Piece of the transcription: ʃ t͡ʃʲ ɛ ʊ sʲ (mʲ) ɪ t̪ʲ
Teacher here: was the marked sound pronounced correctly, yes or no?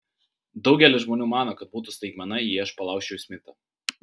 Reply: yes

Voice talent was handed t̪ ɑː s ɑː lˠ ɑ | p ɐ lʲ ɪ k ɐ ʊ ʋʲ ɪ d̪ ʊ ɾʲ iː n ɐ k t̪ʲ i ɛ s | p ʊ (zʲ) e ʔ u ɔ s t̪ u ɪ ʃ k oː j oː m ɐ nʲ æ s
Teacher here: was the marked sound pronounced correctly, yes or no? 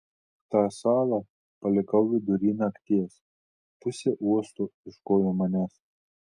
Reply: no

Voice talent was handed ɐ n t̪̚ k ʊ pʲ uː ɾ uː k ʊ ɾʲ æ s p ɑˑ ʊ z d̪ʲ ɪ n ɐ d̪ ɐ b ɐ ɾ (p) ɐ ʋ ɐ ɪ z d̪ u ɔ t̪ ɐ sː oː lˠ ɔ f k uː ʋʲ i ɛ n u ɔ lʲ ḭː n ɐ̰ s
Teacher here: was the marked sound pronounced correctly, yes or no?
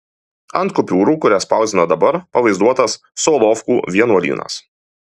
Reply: yes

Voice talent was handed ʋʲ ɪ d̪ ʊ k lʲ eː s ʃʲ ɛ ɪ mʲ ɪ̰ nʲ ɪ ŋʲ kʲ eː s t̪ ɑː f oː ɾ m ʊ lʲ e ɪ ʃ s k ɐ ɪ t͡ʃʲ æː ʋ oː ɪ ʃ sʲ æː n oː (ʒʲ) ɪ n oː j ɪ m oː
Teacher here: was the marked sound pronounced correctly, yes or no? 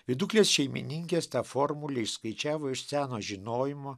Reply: yes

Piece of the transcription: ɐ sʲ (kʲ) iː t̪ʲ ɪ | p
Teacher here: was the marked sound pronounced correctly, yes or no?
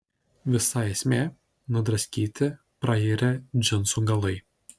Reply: yes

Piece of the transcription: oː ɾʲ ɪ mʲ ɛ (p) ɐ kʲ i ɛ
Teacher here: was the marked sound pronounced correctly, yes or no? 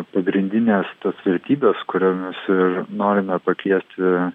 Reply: yes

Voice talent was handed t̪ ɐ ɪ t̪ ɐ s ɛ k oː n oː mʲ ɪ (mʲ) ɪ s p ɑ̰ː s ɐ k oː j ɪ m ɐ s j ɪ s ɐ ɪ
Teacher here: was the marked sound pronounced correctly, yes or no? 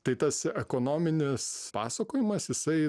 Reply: no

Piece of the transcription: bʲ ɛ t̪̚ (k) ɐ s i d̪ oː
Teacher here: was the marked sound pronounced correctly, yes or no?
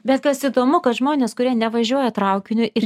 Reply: yes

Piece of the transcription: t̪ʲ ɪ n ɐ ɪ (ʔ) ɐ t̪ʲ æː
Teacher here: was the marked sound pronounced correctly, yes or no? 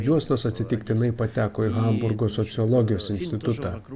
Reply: no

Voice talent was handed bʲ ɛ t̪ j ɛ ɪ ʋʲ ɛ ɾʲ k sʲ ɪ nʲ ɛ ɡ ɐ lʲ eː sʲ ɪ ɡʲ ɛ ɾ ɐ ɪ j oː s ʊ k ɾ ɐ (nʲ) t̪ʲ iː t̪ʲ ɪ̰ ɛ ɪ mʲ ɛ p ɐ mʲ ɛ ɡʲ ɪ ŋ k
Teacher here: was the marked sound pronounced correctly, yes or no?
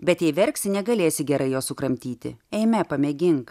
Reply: no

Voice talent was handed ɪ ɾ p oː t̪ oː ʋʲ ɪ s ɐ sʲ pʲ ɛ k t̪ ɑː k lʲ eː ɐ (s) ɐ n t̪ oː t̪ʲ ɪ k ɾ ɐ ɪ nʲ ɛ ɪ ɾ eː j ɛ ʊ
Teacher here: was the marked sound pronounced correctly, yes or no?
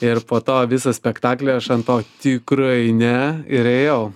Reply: no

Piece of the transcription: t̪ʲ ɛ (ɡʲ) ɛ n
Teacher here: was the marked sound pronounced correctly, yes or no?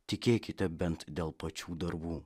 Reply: no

